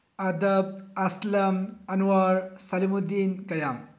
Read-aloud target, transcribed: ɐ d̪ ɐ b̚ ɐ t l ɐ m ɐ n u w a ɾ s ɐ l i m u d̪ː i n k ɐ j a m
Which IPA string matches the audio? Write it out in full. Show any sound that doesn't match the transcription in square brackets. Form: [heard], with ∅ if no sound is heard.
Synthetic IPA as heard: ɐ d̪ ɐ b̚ ɐ [s] l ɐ m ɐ n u w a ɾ s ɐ l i m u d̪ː i n k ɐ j a m